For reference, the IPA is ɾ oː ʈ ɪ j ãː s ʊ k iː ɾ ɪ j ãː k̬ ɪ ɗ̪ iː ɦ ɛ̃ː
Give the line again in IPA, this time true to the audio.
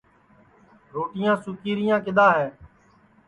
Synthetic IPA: ɾ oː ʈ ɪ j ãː s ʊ k iː ɾ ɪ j ãː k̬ ɪ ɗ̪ aː ɦ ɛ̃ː